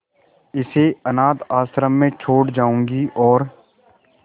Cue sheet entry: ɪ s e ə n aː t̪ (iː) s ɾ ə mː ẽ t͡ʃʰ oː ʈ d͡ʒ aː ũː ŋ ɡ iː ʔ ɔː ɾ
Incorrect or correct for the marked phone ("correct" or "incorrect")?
incorrect